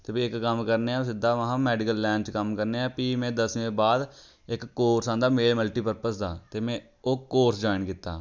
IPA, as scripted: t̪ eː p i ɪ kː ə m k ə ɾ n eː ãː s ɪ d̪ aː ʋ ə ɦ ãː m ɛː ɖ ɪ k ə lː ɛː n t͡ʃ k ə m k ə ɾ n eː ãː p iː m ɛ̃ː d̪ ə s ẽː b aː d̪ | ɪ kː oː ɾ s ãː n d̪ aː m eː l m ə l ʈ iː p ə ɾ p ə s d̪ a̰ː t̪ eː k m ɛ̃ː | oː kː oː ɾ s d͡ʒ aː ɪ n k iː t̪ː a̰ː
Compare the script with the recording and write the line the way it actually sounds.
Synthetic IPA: t̪ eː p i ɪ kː ə m k ə ɾ n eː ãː s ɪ d̪ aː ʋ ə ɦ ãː m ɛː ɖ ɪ k ə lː ɛː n t͡ʃ k ə m k ə ɾ n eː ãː p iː m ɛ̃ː d̪ ə s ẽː b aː d̪ | ɪ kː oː ɾ s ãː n d̪ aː m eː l m ə l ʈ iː p ə ɾ p ə s d̪ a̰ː t̪ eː m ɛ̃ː | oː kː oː ɾ s d͡ʒ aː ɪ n k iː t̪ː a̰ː